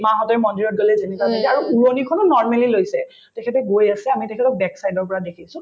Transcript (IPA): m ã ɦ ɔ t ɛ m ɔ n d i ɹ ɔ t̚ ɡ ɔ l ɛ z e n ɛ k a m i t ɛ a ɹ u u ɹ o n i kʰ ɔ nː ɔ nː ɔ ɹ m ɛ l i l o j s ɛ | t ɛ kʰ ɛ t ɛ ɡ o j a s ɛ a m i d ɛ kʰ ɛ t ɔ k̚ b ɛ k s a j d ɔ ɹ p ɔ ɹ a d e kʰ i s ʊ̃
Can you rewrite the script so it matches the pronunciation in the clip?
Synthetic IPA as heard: m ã ɦ ɔ t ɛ m ɔ n d i ɹ ɔ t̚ ɡ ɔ l ɛ z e n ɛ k a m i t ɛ a ɹ u u ɹ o n i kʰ ɔ n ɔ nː ɔ ɹ m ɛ l i l o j s ɛ | t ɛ kʰ ɛ t ɛ ɡ o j a s ɛ a m i t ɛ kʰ ɛ t ɔ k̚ b ɛ k s a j d ɔ ɹ p ɔ ɹ a d e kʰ i s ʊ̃